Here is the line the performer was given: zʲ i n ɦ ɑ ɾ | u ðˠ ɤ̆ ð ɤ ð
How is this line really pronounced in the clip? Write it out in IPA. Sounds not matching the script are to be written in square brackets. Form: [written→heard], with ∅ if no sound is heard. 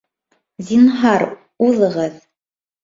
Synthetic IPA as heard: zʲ i n ɦ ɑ ɾ | u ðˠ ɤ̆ [ð→ʁ] ɤ ð